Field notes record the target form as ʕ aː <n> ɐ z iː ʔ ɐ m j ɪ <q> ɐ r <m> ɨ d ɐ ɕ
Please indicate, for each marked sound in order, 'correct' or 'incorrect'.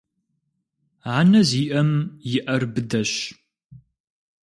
correct, incorrect: ʔ, incorrect: b

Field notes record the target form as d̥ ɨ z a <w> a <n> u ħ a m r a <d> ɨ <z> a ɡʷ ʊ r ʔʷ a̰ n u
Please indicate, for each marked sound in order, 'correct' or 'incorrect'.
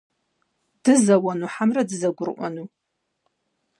correct, correct, correct, correct

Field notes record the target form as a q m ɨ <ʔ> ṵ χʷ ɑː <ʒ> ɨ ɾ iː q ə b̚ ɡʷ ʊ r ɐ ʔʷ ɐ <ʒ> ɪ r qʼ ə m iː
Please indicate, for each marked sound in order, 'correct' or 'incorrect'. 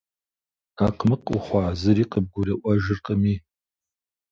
incorrect: q, incorrect: z, correct

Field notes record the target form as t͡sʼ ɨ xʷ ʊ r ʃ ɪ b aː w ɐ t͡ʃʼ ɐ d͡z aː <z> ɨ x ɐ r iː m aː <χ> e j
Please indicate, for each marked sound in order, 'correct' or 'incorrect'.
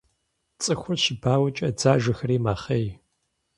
incorrect: ʒ, correct

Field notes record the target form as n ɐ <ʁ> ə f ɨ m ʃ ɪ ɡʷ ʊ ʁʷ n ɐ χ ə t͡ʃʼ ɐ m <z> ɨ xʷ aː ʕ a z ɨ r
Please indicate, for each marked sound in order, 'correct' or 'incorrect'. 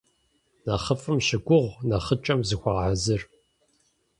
incorrect: χ, correct

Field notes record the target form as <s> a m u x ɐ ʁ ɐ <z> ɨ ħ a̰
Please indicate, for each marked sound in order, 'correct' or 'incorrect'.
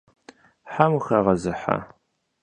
incorrect: ħ, correct

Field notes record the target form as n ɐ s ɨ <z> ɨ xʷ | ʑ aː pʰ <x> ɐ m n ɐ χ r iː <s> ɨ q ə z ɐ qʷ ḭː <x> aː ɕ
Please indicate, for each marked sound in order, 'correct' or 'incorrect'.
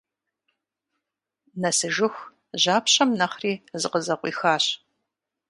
incorrect: ʒ, incorrect: ɕ, incorrect: z, correct

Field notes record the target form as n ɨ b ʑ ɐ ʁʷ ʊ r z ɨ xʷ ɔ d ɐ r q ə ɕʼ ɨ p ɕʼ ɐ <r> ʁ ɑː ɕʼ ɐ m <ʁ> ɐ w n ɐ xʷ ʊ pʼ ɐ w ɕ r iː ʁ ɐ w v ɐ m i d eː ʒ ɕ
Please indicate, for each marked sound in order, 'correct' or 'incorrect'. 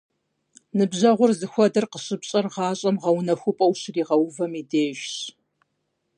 correct, correct

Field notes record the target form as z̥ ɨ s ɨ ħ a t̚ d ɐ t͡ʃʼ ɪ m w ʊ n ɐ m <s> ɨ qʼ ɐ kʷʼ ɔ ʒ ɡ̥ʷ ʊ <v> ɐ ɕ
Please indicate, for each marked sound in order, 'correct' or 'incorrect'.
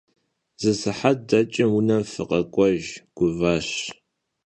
incorrect: f, correct

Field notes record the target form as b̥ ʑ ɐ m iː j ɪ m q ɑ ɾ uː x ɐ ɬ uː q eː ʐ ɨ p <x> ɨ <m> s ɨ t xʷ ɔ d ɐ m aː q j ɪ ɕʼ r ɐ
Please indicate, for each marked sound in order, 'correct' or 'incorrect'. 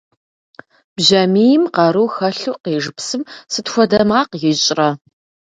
incorrect: s, correct

